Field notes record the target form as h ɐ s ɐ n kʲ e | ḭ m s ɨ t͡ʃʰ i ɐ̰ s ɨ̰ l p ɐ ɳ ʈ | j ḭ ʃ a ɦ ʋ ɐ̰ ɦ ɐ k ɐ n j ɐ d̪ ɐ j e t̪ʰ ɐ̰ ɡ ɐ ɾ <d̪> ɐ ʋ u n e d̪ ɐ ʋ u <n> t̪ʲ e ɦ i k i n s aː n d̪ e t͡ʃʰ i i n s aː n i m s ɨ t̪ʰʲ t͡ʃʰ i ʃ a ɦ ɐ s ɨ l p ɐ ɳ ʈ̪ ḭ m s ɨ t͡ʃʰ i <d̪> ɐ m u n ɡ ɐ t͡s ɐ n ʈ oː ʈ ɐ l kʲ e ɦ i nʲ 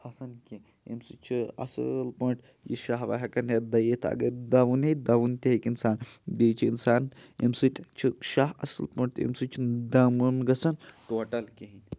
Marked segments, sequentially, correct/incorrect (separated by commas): correct, correct, correct